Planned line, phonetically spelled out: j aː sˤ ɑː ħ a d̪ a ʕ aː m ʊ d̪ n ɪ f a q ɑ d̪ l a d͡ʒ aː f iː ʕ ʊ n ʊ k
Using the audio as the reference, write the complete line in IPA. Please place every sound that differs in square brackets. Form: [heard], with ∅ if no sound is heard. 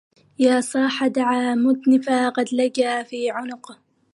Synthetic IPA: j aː sˤ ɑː ħ a d̪ a ʕ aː m ʊ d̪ n ɪ f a q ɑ d̪ l a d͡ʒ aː f iː ʕ ʊ n ʊ [q]